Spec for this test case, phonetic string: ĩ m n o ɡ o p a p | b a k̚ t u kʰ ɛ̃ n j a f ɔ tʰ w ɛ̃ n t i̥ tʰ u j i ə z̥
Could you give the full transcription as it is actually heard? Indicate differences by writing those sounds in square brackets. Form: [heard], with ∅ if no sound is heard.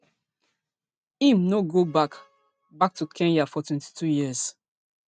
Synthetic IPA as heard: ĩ m n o ɡ o [b] a [k] | b a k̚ t u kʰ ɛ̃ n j a f ɔ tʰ w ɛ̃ n t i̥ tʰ u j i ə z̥